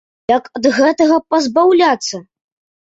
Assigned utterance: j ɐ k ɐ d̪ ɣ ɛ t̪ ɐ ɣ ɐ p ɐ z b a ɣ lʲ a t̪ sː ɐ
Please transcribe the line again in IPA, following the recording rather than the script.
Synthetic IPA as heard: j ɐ k ɐ d̪ ɣ ɛ t̪ ɐ ɣ ɐ p ɐ z b a w lʲ a t̪ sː ɐ

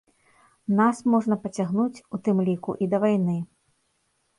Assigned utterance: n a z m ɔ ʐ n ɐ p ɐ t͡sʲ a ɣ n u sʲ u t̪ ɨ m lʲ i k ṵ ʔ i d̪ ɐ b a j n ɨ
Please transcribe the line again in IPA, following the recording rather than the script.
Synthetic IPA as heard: n a s m ɔ ʐ n ɐ p ɐ t͡sʲ a ɣ n u t͡sʲ u t̪ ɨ m lʲ i k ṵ ʔ i d̪ ɐ v a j n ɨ

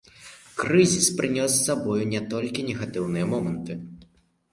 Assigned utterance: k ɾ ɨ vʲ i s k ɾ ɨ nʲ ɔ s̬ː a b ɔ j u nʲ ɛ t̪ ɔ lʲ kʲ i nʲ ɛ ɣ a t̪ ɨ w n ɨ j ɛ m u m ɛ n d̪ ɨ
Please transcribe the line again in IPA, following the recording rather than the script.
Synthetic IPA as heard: k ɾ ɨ zʲ i s p ɾ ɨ nʲ ɔ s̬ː a b ɔ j u nʲ ɛ t̪ ɔ lʲ kʲ i nʲ ɛ ɣ a t̪ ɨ w n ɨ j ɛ m ɔ m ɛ n t̪ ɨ

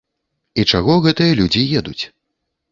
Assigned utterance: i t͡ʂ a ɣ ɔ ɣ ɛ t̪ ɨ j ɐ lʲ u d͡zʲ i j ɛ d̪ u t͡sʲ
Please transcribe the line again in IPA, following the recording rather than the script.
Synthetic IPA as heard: i t͡ʂ a ɣ ɔ ɣ ɛ t̪ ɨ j ɐ lʲ u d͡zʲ i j ɛ d̪ u t͡sʲ

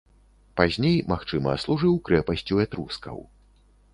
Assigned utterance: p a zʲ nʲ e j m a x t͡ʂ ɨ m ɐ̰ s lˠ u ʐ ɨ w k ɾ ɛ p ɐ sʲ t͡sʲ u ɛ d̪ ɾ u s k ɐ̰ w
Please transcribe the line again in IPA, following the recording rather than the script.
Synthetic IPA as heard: p a zʲ nʲ e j m a x t͡ʂ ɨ m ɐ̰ s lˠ u ʐ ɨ w k ɾ ɛ p ɐ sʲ t͡sʲ u ɛ t̪ ɾ u s k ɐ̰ w

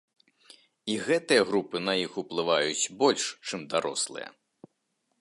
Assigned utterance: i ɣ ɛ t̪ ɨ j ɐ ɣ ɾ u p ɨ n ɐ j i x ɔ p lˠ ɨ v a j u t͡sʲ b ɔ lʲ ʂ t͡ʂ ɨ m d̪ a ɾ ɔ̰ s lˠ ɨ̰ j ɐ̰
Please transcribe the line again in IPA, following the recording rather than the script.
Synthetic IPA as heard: i ɣ ɛ t̪ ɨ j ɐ ɣ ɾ u p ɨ n ɐ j i x u p lˠ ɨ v a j u t͡sʲ b ɔ lʲ ʂ t͡ʂ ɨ m d̪ a ɾ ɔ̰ s lˠ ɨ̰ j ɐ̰

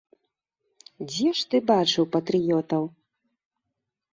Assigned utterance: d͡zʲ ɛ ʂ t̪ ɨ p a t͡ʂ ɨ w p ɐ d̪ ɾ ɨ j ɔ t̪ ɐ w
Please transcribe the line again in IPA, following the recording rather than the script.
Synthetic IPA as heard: d͡zʲ ɛ ʂ t̪ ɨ b a t͡ʂ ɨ w p ɐ t̪ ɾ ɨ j ɔ t̪ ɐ w

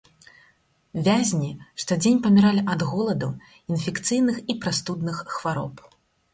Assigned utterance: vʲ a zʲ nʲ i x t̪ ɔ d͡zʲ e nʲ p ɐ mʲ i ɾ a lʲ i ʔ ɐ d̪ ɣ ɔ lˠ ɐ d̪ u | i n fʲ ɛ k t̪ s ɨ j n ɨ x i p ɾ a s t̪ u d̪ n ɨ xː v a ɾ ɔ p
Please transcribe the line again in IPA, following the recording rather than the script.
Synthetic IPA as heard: vʲ a zʲ nʲ i ʂ t̪ ɔ d͡zʲ e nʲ p ɐ mʲ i ɾ a lʲ i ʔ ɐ d̪ ɣ ɔ lˠ ɐ d̪ u | i n fʲ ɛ k t̪ s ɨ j n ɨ x i p ɾ a s t̪ u d̪ n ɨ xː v a ɾ ɔ p

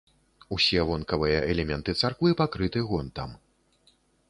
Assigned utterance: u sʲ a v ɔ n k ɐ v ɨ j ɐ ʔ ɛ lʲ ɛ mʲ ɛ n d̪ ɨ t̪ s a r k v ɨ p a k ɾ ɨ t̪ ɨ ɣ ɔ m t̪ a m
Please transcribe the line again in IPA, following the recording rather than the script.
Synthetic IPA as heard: u sʲ ɛ v ɔ n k ɐ v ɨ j ɐ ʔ ɛ lʲ ɛ mʲ ɛ n t̪ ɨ t̪ s a r k v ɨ p a k ɾ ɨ t̪ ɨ ɣ ɔ n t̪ a m

